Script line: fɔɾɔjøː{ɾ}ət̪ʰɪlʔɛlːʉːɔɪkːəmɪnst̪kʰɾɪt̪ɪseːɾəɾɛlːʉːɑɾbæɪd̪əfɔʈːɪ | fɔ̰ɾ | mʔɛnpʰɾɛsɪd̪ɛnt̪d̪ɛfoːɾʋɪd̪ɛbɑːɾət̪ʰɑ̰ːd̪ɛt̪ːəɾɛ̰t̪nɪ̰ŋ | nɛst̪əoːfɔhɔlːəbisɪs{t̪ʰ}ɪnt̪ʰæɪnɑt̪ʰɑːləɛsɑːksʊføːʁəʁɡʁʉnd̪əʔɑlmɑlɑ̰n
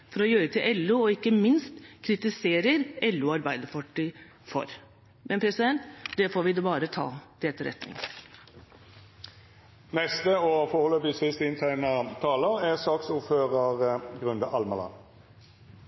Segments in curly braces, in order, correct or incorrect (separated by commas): correct, incorrect